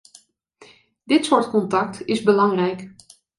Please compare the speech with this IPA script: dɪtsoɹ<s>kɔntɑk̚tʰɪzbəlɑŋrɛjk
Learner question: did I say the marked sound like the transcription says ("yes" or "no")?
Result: no